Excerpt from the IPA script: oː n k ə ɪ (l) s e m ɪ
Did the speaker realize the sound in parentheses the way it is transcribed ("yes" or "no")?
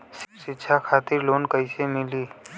no